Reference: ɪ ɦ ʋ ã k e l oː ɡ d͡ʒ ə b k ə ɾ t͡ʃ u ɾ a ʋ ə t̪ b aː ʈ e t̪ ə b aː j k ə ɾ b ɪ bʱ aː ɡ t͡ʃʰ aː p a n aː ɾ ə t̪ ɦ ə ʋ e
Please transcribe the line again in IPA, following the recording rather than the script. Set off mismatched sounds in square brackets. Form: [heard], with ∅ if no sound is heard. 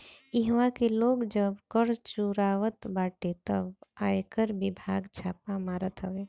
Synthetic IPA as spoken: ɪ ɦ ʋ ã k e l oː ɡ d͡ʒ ə b k ə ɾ t͡ʃ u ɾ a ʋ ə t̪ b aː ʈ e t̪ ə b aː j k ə ɾ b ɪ bʱ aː ɡ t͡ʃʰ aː p a [m] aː ɾ ə t̪ ɦ ə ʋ e